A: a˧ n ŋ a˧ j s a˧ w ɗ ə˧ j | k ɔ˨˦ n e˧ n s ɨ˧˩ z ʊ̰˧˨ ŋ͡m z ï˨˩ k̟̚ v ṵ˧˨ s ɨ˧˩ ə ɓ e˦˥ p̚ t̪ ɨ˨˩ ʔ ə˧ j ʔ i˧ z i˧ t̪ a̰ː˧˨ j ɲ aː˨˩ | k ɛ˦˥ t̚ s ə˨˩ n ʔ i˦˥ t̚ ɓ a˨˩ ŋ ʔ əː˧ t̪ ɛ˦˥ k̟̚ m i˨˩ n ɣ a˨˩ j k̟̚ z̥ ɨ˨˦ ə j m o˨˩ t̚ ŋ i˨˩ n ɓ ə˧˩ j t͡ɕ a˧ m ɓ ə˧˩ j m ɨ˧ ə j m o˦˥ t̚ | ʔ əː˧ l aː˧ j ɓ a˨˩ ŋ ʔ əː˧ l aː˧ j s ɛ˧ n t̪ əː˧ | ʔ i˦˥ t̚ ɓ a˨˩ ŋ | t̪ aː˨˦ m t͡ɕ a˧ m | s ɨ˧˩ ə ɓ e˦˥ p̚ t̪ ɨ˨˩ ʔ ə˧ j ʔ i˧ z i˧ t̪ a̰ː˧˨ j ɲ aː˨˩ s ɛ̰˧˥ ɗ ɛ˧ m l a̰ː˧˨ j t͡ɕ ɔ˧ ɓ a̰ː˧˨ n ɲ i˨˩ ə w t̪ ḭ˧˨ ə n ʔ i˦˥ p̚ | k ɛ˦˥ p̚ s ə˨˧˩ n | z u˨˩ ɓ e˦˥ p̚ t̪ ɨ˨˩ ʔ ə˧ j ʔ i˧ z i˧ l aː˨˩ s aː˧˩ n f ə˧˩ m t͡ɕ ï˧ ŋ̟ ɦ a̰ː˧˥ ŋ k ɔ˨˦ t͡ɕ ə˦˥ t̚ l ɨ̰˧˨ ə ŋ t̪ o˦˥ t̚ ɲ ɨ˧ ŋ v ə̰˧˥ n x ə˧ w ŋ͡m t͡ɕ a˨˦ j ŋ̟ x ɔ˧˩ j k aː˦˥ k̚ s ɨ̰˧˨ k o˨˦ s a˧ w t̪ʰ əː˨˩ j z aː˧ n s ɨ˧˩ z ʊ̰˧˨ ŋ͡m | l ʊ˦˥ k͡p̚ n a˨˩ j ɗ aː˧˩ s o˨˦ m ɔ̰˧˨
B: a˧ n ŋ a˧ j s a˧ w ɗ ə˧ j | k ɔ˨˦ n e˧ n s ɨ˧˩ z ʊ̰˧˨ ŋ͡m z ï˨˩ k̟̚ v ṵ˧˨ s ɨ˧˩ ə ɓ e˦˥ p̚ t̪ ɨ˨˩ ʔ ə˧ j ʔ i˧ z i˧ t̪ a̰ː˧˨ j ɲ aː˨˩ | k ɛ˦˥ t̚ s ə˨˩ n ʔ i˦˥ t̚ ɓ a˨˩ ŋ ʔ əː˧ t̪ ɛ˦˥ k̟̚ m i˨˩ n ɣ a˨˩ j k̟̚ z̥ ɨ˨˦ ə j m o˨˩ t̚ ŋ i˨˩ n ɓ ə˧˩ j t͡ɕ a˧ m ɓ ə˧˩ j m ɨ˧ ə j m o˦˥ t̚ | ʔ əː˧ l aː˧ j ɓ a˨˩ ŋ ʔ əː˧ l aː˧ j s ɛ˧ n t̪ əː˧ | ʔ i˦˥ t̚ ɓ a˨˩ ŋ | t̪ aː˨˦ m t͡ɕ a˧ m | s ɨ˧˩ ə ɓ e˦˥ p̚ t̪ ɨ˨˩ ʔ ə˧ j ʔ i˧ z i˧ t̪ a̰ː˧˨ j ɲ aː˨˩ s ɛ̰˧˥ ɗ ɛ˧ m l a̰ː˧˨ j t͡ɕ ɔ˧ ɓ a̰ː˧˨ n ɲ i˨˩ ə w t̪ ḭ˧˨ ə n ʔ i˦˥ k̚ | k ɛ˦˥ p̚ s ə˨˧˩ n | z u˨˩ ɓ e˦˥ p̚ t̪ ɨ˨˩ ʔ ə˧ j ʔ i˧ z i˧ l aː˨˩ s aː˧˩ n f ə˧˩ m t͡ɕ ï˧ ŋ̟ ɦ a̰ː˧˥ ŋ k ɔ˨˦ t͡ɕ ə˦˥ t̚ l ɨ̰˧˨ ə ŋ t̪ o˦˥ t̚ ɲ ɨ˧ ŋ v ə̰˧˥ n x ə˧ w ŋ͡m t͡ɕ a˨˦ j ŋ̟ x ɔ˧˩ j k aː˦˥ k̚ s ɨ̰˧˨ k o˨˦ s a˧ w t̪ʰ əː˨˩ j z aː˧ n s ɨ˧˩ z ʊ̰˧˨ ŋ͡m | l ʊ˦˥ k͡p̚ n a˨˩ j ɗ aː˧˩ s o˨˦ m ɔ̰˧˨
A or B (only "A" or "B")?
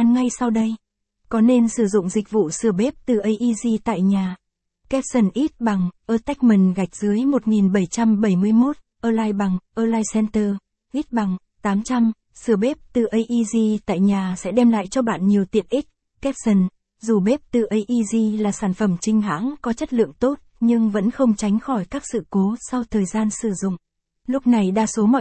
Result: B